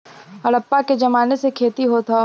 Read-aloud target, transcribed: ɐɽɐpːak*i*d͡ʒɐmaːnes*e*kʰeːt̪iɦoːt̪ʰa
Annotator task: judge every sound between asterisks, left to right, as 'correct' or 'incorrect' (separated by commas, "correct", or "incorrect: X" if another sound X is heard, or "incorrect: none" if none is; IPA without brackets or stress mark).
incorrect: e, correct